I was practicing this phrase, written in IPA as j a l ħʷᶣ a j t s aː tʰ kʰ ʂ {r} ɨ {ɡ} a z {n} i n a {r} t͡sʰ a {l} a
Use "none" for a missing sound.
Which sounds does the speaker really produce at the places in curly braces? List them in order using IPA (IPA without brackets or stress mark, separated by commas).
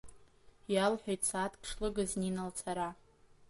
l, ɡ, n, l, ɾ